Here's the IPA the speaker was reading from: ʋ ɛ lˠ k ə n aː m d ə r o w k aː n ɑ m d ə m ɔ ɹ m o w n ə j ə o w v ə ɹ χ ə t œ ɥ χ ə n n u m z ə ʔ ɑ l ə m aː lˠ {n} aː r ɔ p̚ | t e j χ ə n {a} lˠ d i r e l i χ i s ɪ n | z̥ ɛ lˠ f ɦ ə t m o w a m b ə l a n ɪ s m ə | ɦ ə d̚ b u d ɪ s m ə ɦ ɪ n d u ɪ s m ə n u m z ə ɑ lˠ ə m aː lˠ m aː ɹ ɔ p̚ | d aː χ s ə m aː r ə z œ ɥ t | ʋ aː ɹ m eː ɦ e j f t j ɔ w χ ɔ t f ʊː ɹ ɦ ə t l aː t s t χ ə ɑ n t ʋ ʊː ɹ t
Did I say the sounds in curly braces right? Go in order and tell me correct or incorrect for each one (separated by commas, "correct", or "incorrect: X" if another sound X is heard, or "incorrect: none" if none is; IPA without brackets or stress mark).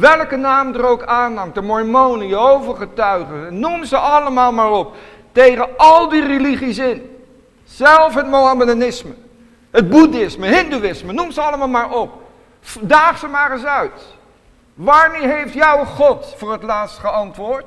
incorrect: m, incorrect: ɑ